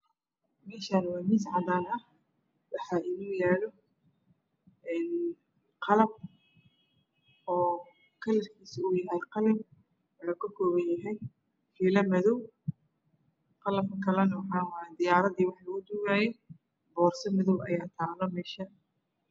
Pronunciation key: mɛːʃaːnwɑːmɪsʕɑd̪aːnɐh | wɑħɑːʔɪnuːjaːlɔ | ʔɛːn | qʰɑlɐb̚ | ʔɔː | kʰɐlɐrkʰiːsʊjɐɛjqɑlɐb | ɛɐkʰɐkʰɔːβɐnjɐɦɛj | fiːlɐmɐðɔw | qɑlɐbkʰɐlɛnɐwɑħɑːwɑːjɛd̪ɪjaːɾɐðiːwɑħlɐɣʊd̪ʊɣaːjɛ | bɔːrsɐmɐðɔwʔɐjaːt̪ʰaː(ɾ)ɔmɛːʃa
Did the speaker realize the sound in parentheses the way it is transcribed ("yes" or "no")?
no